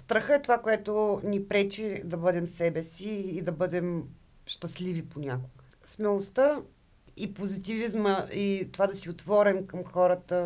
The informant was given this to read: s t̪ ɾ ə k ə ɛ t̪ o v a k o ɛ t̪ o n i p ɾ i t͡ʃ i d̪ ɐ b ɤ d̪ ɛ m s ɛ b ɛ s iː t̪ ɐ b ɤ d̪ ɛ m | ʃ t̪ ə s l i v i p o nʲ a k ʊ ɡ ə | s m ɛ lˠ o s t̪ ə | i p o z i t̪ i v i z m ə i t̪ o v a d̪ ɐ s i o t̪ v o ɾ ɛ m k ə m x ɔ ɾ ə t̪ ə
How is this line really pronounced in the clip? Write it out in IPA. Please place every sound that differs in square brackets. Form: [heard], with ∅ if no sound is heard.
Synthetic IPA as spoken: s t̪ ɾ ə [x] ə ɛ t̪ o v a k o ɛ t̪ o n i p ɾ [ɛ] t͡ʃ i d̪ ɐ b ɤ d̪ ɛ m s ɛ b ɛ s iː [d̪] ɐ b ɤ d̪ ɛ m | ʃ t̪ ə s l i v i p o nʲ a k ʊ ɡ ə | s m ɛ lˠ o s t̪ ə | i p o z i t̪ i v i z m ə i t̪ o v a d̪ ɐ s i o t̪ v [ɔ] ɾ ɛ m k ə m x ɔ ɾ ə t̪ ə